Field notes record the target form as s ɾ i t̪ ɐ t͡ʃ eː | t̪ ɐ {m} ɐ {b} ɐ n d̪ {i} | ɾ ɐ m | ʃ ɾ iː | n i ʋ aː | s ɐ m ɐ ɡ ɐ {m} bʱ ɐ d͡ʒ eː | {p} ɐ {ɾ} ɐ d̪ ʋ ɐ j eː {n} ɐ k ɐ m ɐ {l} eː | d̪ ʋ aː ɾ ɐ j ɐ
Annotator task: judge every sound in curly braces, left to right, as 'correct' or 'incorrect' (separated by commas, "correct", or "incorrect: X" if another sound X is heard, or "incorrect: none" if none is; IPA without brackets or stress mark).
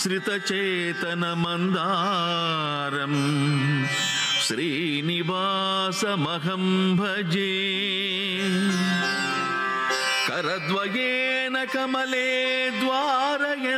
incorrect: n, incorrect: m, incorrect: a, correct, incorrect: k, correct, correct, correct